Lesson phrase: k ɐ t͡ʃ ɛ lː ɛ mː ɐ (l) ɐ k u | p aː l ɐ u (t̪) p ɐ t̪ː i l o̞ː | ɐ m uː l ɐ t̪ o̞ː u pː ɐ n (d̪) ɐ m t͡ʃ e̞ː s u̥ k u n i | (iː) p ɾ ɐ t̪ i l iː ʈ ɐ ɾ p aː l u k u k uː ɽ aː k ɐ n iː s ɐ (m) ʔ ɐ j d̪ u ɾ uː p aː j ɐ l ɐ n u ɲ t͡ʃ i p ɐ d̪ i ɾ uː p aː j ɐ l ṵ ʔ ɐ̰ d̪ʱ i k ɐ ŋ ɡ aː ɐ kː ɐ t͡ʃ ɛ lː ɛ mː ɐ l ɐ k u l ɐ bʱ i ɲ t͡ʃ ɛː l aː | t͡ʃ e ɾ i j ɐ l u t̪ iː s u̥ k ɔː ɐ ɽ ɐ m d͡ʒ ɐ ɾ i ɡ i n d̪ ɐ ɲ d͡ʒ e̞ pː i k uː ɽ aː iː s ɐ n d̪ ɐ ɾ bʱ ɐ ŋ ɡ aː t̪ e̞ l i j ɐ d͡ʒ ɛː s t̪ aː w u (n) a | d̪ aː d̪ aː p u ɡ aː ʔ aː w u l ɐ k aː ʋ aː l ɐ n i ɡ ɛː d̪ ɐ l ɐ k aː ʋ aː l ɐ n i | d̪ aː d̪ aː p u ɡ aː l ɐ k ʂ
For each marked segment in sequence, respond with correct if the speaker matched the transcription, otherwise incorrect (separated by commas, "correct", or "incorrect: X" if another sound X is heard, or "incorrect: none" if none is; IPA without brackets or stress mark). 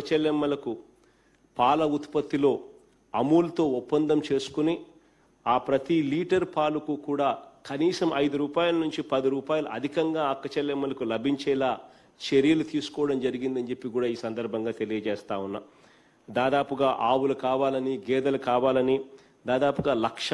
correct, correct, correct, incorrect: aː, correct, incorrect: nː